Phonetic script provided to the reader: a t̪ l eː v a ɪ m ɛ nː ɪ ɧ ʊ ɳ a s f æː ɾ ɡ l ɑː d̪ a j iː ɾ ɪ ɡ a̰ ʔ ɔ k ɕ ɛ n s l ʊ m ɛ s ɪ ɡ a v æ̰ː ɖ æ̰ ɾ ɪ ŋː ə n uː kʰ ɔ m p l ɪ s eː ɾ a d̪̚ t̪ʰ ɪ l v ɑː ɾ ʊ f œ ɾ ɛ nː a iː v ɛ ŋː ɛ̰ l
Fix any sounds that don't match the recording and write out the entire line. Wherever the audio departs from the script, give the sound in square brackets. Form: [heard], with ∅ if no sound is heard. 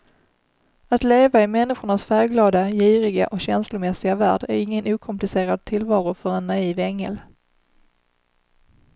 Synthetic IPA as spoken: a t̪ l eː v a ɪ m ɛ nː ɪ ɧ ʊ ɳ a s f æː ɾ ɡ l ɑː d̪ a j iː ɾ ɪ ɡ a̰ ʔ ɔ k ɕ ɛ n s l ʊ m ɛ s ɪ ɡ a v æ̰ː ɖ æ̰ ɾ ɪ ŋː ə n uː kʰ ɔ m p l ɪ s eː ɾ a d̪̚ t̪ʰ ɪ l v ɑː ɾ ʊ f œ ɾ ɛ nː a iː v ɛ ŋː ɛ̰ l